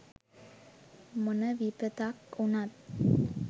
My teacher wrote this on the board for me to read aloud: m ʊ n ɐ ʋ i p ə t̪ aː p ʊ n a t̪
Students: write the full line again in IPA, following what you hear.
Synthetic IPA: m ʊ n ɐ ʋ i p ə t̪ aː k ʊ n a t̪